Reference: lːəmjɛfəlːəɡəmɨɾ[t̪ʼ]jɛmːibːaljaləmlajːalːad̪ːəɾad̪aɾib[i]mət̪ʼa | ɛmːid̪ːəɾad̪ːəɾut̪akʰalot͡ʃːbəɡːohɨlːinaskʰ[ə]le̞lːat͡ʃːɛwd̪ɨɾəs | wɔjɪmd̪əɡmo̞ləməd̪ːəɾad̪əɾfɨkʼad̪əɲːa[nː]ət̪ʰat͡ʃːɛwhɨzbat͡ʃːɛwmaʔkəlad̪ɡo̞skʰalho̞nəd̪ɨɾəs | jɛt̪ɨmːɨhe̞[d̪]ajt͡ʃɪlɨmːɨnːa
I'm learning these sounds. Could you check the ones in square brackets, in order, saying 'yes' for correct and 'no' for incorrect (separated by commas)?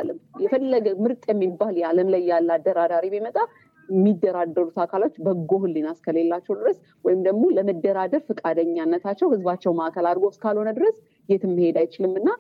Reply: yes, yes, yes, yes, yes